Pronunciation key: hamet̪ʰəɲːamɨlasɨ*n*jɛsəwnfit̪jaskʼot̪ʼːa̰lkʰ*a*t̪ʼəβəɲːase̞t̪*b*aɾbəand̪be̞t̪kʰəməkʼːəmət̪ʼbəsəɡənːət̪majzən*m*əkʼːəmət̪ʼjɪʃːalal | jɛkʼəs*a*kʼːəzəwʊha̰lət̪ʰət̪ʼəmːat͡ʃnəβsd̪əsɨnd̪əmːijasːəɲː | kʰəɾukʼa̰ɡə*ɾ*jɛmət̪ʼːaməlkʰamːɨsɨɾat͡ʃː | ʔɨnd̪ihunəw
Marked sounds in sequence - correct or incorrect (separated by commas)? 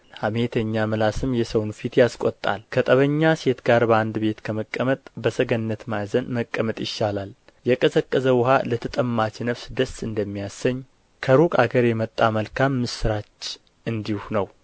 incorrect, incorrect, incorrect, correct, incorrect, correct